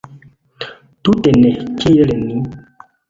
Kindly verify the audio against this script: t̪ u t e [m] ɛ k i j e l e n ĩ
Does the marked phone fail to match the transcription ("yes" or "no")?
yes